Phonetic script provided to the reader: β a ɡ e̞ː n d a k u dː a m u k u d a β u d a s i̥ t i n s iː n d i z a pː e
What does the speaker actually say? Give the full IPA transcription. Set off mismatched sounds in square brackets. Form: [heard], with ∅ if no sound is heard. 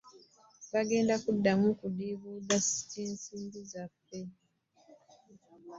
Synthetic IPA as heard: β a ɡ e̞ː n d a k u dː a m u k u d [i] β u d a s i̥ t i n s iː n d i z a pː e